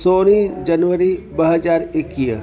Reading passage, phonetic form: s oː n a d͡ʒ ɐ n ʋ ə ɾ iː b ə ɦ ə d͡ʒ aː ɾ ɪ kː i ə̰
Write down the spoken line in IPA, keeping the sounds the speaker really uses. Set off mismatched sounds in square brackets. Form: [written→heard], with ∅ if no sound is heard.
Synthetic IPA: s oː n [a→i] d͡ʒ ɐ n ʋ ə ɾ [iː→i] b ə ɦ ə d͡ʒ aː ɾ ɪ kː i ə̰